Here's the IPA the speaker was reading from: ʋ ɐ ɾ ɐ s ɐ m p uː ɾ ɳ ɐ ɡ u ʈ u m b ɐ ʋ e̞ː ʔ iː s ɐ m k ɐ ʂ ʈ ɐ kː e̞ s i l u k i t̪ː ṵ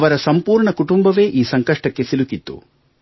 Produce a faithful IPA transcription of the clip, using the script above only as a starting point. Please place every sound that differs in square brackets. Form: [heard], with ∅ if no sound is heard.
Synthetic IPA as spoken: ʋ ɐ ɾ ɐ s ɐ m p uː ɾ ɳ ɐ [k] u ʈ u m b ɐ ʋ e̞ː ʔ iː s ɐ [ŋ] k ɐ ʂ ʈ ɐ kː e̞ s i l u k i t̪ː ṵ